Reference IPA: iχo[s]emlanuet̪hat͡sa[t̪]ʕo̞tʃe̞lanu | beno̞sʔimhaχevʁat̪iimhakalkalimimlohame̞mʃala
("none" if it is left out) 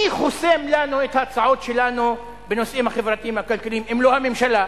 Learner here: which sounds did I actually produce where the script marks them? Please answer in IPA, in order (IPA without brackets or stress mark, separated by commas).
s, none